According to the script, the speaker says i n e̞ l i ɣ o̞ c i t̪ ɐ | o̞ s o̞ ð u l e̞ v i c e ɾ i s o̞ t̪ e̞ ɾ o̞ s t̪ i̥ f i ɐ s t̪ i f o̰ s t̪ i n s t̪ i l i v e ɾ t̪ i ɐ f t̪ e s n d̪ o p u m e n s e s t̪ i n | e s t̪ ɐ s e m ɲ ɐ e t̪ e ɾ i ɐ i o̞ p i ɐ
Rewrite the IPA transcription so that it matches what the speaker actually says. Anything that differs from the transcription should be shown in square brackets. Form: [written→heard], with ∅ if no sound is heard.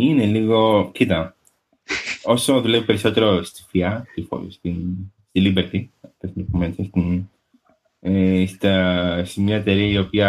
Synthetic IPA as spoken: i n e̞ l i ɣ o̞ c i t̪ ɐ | o̞ s o̞ ð u l e̞ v i [c→p] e ɾ i s o̞ t̪ e̞ ɾ o̞ s t̪ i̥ f i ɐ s t̪ i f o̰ s t̪ i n s t̪ i l i [v→b] e ɾ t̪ i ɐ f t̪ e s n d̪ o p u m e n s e s t̪ i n | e s t̪ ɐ s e m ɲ ɐ e t̪ e ɾ i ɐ i o̞ p i ɐ